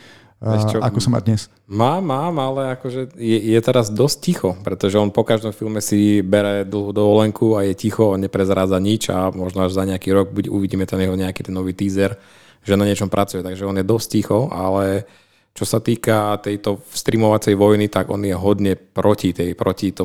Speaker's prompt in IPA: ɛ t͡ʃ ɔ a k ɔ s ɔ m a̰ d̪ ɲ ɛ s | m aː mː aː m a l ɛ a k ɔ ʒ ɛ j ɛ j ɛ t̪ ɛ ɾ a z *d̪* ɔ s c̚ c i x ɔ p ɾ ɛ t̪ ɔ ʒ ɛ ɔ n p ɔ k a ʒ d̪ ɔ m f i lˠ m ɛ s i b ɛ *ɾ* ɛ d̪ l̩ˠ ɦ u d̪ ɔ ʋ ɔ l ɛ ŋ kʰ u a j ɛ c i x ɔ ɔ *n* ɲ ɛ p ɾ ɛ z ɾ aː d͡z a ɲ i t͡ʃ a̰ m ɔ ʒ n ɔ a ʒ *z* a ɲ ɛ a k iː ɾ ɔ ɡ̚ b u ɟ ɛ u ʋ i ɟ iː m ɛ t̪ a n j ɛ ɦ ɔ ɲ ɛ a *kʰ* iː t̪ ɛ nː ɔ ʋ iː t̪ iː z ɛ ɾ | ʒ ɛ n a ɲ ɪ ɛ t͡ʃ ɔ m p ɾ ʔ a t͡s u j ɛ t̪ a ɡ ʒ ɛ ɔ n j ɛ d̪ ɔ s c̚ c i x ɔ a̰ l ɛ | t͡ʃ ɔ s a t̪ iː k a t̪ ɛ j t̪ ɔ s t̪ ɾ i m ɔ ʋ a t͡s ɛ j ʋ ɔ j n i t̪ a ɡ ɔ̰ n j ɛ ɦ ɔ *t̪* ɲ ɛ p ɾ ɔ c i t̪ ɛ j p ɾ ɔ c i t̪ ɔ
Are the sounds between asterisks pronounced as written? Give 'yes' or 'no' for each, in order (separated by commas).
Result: yes, yes, yes, yes, no, no